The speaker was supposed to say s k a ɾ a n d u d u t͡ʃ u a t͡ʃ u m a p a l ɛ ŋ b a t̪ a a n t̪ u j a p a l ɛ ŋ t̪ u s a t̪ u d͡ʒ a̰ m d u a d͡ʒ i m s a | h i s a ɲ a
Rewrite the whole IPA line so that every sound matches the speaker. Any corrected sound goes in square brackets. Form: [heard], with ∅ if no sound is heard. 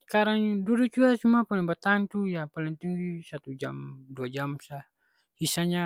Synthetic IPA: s k a ɾ a [ŋ] d u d u t͡ʃ u a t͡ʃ u m a p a l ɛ ŋ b a t̪ a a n t̪ u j a p a l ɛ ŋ t̪ u s a t̪ u d͡ʒ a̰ m d u a d͡ʒ [a] m s a | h i s a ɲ a